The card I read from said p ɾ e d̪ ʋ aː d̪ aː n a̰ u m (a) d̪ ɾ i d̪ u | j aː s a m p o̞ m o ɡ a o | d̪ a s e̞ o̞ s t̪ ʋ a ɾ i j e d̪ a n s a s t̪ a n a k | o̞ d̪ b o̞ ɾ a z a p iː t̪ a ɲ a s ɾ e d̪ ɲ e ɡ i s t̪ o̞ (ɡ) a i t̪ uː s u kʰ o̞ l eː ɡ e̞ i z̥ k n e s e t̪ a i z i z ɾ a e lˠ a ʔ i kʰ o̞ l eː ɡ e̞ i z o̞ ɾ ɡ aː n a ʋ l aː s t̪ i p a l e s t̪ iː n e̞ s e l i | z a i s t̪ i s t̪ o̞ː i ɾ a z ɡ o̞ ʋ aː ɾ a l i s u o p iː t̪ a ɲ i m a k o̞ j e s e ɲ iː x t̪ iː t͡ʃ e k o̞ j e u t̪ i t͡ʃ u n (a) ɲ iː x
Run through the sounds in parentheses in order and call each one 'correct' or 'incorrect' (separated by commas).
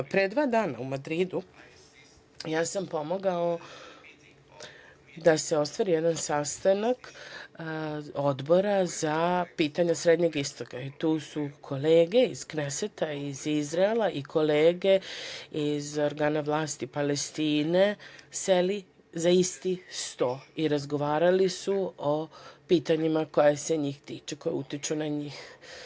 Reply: correct, incorrect, correct